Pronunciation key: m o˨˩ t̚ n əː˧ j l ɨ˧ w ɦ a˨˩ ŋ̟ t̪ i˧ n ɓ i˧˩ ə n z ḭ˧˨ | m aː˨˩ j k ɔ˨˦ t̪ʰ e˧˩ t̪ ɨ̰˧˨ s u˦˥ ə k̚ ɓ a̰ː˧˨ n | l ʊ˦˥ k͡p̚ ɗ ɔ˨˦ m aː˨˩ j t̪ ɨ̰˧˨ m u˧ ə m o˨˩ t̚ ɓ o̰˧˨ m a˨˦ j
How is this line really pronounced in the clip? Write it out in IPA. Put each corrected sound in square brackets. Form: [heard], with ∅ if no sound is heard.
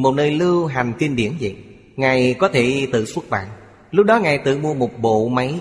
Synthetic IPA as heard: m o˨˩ t̚ n əː˧ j l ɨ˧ w ɦ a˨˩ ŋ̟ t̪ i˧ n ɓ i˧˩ ə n z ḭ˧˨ | [ŋ] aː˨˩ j k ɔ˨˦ t̪ʰ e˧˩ t̪ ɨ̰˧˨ s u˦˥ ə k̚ ɓ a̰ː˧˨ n | l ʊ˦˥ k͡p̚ ɗ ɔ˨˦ [ŋ] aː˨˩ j t̪ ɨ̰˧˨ m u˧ ə m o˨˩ t̚ ɓ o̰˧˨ m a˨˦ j